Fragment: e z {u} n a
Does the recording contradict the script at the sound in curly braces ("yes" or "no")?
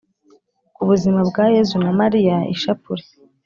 no